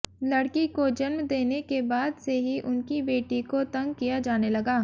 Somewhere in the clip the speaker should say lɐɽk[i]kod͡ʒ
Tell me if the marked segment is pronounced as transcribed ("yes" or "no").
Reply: yes